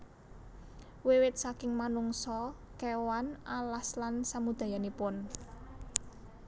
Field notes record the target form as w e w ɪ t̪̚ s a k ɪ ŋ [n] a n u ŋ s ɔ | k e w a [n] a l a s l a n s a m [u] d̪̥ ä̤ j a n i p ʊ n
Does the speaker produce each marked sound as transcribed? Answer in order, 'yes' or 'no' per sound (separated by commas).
no, yes, yes